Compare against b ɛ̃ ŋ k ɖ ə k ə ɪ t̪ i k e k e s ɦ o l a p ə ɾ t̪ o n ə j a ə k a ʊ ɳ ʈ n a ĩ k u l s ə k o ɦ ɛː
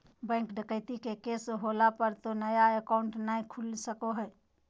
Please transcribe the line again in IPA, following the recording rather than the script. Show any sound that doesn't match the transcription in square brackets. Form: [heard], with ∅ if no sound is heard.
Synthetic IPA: b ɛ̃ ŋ k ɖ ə k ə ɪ t̪ i k e k e s ɦ o l a p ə ɾ t̪ o n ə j a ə k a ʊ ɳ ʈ n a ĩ [kʰ] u l s ə k o ɦ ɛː